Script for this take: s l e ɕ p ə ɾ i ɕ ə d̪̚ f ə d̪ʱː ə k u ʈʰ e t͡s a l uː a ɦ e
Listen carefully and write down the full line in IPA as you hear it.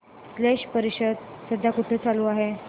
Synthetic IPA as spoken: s l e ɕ p ə ɾ i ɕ ə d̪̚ s ə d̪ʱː a k u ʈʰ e t͡s a l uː a ɦ e